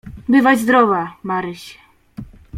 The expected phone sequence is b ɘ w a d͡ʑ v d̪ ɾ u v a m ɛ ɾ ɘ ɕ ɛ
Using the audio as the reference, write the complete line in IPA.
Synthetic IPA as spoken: b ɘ v a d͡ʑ z d̪ ɾ ɔ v a m a ɾ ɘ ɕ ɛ